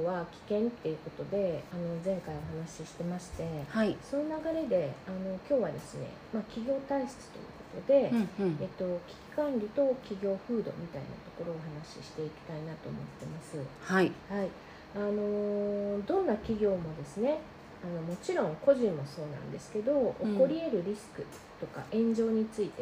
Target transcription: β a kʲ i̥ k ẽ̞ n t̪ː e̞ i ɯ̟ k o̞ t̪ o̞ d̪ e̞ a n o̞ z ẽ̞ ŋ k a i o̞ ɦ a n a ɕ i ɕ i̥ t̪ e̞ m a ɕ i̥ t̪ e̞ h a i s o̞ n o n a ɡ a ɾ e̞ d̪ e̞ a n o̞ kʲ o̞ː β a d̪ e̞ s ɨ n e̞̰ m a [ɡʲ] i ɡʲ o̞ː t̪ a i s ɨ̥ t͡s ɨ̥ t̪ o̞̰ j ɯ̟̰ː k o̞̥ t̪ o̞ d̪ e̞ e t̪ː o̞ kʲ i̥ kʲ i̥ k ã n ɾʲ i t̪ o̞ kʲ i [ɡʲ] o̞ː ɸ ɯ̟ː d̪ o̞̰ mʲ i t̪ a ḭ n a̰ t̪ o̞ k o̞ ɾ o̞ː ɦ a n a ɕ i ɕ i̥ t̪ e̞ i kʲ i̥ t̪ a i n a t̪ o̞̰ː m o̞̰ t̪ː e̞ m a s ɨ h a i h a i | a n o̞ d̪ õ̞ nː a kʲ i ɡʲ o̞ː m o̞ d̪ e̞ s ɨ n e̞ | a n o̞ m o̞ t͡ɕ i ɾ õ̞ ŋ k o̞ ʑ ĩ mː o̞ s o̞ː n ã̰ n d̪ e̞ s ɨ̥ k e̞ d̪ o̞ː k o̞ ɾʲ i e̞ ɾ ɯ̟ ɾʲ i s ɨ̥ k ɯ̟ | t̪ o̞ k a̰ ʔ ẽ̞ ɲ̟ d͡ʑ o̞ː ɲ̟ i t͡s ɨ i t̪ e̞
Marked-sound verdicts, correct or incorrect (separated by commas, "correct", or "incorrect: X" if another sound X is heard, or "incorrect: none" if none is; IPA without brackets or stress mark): incorrect: kʲ, correct